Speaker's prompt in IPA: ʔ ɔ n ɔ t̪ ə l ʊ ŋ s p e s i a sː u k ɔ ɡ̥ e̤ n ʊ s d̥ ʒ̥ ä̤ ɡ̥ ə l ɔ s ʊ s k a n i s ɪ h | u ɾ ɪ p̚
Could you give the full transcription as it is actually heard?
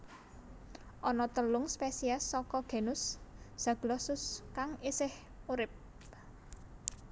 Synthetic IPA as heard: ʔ ɔ n ɔ t̪ ə l ʊ ŋ s p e s i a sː ɔ k ɔ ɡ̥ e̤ n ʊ s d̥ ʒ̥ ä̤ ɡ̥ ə l ɔ s ʊ s k a ŋ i s ɪ h | u ɾ ɪ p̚